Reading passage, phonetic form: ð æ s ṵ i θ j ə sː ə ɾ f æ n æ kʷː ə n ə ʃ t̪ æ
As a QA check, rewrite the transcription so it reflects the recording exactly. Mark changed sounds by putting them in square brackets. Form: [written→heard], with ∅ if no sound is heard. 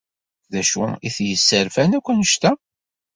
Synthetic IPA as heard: ð æ [s→ʃ] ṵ i θ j ə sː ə ɾ f æ n æ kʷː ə n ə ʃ t̪ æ